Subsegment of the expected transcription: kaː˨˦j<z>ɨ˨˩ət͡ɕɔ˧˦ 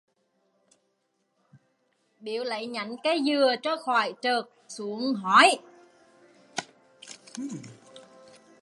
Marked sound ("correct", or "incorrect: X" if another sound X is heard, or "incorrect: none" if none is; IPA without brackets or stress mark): correct